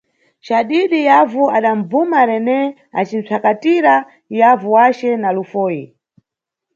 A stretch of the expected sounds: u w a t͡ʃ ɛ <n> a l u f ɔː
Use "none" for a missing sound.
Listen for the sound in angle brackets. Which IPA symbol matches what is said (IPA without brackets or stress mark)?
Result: n